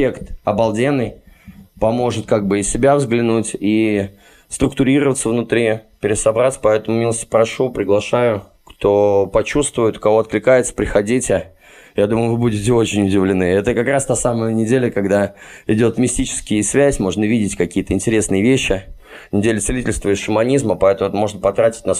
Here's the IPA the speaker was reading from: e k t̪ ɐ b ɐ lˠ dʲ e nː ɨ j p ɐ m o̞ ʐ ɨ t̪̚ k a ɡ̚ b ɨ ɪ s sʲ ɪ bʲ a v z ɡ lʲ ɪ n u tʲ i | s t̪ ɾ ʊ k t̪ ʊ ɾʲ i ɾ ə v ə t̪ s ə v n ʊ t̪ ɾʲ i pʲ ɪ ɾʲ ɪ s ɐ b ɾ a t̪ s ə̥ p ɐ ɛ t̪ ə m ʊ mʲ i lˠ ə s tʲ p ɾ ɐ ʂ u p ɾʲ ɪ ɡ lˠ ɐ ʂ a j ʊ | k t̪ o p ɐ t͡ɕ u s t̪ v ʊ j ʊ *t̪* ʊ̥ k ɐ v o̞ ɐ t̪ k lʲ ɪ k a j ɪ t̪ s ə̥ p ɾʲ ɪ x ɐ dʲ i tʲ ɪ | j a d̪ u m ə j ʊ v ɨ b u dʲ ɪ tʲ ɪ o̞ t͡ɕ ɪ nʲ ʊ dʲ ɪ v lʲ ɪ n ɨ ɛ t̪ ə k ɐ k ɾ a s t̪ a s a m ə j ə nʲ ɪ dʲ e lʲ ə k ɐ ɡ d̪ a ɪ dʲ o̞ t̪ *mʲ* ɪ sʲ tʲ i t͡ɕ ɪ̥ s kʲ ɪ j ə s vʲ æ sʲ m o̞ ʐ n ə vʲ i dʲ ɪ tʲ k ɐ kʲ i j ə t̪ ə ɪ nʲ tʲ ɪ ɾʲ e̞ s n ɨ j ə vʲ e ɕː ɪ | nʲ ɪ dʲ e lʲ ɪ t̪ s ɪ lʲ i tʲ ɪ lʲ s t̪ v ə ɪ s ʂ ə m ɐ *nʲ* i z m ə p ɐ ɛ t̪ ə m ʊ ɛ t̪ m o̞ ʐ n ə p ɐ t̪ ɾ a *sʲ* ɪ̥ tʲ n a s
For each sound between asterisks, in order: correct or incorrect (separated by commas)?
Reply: correct, correct, correct, incorrect